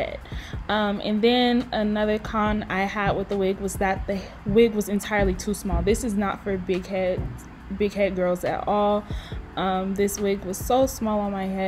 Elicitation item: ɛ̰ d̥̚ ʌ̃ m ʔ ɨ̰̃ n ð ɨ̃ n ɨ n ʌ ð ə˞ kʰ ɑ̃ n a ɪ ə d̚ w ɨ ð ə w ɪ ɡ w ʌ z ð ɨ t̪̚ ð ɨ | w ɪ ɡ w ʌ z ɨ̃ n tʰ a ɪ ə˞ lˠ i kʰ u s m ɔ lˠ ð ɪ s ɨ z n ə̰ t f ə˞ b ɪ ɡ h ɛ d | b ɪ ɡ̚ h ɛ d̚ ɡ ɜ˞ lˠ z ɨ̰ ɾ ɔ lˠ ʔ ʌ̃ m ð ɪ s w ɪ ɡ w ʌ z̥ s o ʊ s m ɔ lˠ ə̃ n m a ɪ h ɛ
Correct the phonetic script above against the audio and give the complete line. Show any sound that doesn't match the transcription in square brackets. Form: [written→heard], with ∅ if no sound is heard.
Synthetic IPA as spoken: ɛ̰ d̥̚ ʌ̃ m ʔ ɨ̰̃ n ð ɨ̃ n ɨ n ʌ ð ə˞ kʰ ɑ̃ n a ɪ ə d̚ w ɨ ð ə w ɪ ɡ w ʌ z ð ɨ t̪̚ ð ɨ | w ɪ ɡ w ʌ z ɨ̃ n tʰ a ɪ ə˞ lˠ i [kʰ→tʰ] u s m ɔ lˠ ð ɪ s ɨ z n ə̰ t f ə˞ b ɪ ɡ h ɛ d | b ɪ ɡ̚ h ɛ d̚ ɡ ɜ˞ lˠ z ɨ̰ ɾ ɔ lˠ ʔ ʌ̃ m ð ɪ s w ɪ ɡ w ʌ z̥ s o ʊ s m ɔ lˠ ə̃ n m a ɪ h ɛ